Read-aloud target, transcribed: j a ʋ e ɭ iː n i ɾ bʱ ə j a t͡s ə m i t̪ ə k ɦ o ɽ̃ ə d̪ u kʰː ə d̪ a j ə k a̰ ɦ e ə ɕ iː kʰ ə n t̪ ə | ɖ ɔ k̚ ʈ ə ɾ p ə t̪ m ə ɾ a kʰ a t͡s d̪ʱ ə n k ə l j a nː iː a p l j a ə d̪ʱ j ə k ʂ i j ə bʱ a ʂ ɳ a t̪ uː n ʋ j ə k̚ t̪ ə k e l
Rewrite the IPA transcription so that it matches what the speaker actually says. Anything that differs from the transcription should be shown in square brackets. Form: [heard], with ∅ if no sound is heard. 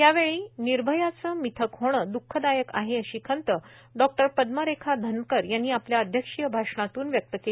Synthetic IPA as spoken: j a ʋ e ɭ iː n i ɾ bʱ ə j a t͡s ə m i [t̪ʰ] ə k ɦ o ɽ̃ ə d̪ u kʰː ə d̪ a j ə k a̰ ɦ e ə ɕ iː kʰ ə n t̪ ə | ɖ ɔ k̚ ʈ ə ɾ p ə [d̪] m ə ɾ [e] kʰ a [∅] d̪ʱ ə n k ə [ɾ] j a nː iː a p l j a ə d̪ʱ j ə k ʂ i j ə bʱ a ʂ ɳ a t̪ uː n ʋ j ə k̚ t̪ ə k e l